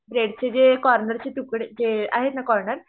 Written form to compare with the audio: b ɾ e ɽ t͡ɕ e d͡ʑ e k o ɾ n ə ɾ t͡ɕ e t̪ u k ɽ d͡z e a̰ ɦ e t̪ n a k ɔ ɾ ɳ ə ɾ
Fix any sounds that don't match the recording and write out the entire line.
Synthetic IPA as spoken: b ɾ e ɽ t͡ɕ e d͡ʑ e k ɔ ɾ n ə ɾ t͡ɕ e t̪ u k ɽ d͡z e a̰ ɦ e t̪ n a k ɔ ɾ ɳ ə ɾ